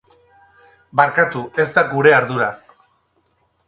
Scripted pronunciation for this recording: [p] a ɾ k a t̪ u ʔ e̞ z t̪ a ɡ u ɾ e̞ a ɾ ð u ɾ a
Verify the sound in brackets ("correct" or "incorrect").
incorrect